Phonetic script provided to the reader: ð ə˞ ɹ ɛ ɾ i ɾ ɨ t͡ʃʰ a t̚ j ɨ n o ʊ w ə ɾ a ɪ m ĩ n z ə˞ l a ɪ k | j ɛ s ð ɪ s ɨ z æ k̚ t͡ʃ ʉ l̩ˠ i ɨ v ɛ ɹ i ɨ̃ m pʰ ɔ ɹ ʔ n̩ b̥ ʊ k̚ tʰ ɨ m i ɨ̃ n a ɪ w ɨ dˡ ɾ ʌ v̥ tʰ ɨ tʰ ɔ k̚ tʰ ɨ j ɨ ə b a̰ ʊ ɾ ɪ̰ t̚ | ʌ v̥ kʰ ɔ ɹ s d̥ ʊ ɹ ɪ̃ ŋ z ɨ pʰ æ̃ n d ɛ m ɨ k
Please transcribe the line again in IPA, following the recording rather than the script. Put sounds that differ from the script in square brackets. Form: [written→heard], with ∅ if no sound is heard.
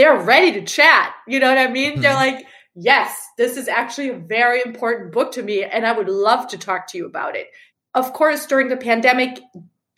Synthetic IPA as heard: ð ə˞ ɹ ɛ ɾ i ɾ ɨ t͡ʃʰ [a→æ] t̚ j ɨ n o ʊ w [ə→ʌ] ɾ a ɪ m ĩ n [z→ð] ə˞ l a ɪ k | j ɛ s ð ɪ s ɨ z æ k̚ t͡ʃ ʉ l̩ˠ i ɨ v ɛ ɹ i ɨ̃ m pʰ ɔ ɹ ʔ n̩ b̥ ʊ k̚ tʰ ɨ m i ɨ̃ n a ɪ w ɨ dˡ [ɾ→l] ʌ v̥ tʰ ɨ tʰ ɔ k̚ tʰ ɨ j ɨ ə b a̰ ʊ ɾ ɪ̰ t̚ | ʌ v̥ kʰ ɔ ɹ s d̥ ʊ ɹ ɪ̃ ŋ [z→ð] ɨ pʰ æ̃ n d ɛ m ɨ k